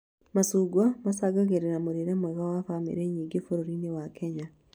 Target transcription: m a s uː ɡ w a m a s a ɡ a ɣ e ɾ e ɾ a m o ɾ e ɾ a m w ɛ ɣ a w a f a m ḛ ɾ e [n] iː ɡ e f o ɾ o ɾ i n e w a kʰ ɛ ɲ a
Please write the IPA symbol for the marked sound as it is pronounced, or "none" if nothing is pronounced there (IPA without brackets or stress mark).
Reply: ɲ